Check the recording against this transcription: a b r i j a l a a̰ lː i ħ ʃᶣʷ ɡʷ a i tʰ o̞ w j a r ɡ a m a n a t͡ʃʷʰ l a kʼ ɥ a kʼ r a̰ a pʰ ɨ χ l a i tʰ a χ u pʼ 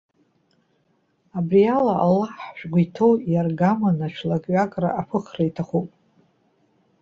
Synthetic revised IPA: a b r i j a l a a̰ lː a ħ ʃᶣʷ ɡʷ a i tʰ o̞ w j a r ɡ a m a n a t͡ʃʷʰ l a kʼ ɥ a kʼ r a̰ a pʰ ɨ χ r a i tʰ a χ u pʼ

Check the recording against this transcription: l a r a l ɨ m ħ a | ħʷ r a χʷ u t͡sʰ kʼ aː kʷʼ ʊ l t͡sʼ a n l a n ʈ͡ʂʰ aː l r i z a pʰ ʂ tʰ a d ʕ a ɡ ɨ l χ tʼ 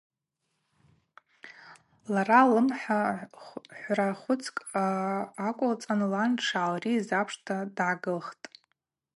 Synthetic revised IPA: l a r a l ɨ m ħ a | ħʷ r a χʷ ʊ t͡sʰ kʼ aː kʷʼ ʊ l t͡sʼ a n l a n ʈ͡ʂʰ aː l r i z a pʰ ʂ tʰ a d ʕ a ɡ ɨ l χ tʼ

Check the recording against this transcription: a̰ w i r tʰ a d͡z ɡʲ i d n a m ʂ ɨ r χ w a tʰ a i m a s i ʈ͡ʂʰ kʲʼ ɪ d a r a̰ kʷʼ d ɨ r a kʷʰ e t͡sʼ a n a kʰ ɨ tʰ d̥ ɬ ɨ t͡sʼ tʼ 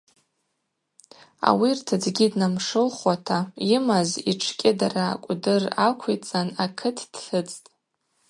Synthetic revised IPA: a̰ w i r tʰ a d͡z ɡʲ i d n a m ʂ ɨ l χ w a tʰ a i m a z i ʈ͡ʂʰ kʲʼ ɪ d a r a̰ kʷʼ d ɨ r a kʷʰ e t͡sʼ a n a kʰ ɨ tʰ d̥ ɬ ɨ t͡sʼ tʼ

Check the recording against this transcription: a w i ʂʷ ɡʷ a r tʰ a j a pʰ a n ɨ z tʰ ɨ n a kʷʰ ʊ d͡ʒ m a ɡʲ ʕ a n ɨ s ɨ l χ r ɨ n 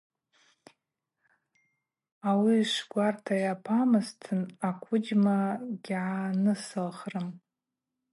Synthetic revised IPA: a w i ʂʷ ɡʷ a r tʰ a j a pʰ a m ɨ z tʰ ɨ n a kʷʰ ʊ d͡ʒ m a ɡʲ ʕ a n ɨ s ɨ l χ r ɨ m

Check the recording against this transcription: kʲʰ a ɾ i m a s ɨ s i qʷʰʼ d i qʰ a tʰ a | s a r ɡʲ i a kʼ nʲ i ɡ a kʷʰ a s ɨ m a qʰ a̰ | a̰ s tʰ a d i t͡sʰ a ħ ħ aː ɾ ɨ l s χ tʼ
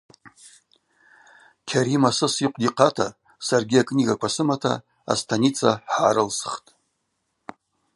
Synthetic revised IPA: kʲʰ a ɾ i m a s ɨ s i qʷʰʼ d i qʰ a tʰ a | s a r ɡʲ i a kʼ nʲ i ɡ a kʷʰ a s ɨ m a tʰ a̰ | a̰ s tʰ a n i t͡sʰ a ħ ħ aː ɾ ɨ l s χ tʼ

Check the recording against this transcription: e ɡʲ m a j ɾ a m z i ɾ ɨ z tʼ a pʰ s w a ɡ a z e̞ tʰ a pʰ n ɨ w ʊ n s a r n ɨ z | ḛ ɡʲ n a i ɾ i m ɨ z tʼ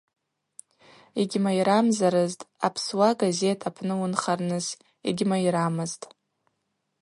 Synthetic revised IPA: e ɡʲ m a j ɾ a m z a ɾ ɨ z tʼ a pʰ s w a ɡ a z e̞ tʰ a pʰ n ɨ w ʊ n χ a r n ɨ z | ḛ ɡʲ m a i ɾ a m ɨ z tʼ

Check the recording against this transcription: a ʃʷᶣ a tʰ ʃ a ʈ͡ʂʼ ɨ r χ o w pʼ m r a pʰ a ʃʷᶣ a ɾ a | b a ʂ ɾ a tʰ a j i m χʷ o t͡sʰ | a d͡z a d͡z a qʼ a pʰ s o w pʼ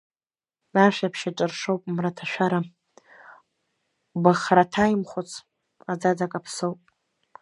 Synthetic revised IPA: a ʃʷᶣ a pʰ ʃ a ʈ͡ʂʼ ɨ r ʂ o w pʼ m r a tʰ a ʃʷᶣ a ɾ a | b a χ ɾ a tʰ a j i m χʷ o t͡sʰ | a d͡z a d͡z a kʼ a pʰ s o w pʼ

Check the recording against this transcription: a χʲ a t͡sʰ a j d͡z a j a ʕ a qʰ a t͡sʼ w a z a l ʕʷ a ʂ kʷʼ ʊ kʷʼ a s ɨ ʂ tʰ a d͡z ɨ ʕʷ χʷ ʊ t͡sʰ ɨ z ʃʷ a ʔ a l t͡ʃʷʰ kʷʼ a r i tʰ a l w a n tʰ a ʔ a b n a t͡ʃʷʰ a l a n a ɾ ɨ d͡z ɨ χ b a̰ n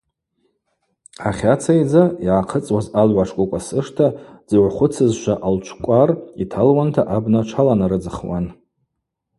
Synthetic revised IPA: a χʲ a t͡sʰ a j d͡z a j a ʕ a qʰ ə t͡sʼ w a z a l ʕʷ a ʂ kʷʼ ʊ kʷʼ a s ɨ ʂ tʰ a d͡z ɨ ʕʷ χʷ ʊ t͡sʰ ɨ z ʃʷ a ʔ a l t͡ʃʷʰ kʷʼ a r i tʰ a l w a n tʰ a ʔ a b n a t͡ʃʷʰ a l a n a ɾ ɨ d͡z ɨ χ w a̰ n

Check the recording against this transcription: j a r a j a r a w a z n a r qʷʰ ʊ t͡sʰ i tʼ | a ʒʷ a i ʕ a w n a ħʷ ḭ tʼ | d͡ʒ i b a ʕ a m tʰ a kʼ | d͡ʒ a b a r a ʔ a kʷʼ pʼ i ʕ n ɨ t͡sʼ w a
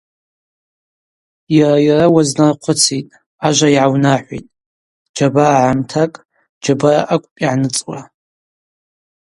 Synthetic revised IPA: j a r a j a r a w a z n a r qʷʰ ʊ t͡sʰ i tʼ | a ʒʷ a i ʕ a w n a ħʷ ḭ tʼ | d͡ʒ a b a ʕ a m tʰ a kʼ | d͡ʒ a b a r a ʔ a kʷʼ pʼ i ʕ n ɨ t͡sʼ w a

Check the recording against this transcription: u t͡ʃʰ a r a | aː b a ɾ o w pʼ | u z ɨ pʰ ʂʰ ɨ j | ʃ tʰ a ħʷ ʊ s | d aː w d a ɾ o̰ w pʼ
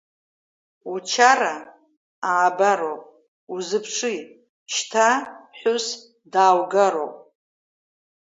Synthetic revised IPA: u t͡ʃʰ a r a | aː b a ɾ o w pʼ | u z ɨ pʰ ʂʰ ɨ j | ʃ tʰ a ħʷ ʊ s | d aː w ɡ a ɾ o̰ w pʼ

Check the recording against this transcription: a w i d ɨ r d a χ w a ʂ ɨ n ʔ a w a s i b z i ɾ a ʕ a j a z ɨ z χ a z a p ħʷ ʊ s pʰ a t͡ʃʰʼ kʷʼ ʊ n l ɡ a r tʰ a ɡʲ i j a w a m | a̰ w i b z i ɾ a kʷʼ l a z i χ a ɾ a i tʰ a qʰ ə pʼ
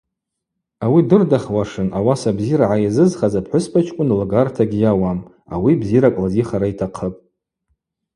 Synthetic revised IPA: a w i d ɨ r d a χ w a ʂ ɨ n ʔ a w a s a b z i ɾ a ʕ a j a z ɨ z χ a z a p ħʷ ʊ s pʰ a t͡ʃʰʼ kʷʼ ʊ n l ɡ a r tʰ a ɡʲ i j a w a m | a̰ w i b z i ɾ a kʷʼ l a z i χ a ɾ a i tʰ a qʰ ə pʼ

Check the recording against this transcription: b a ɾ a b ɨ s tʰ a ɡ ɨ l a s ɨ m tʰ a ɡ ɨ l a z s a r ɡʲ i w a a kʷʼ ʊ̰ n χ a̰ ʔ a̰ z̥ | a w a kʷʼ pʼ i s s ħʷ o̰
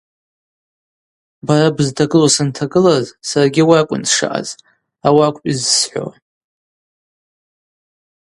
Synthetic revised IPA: b a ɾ a b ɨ z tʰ a ɡ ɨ l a s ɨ n tʰ a ɡ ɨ l a z s a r ɡʲ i w a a kʷʼ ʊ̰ n ʂ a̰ ʔ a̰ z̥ | a w a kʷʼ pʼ i z s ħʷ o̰

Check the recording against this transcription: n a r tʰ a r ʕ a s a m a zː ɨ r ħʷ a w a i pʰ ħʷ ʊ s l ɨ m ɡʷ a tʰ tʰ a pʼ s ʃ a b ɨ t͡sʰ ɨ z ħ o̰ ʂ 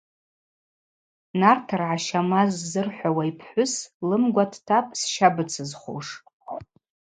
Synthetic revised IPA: n a r tʰ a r ʕ a ʃ a m a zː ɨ r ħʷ a w a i pʰ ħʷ ʊ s l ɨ m ɡʷ a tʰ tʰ a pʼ s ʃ a b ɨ t͡sʰ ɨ z χ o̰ ʂ

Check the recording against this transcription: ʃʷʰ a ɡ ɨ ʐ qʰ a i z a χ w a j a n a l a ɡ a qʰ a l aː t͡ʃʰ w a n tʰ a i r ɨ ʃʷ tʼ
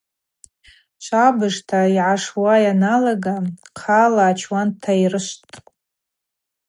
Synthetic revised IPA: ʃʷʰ a b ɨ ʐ tʰ a i ʕ a ʂ w a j a n a l a ɡ a qʰ a l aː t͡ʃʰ w a n tʰ a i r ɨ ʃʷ tʼ

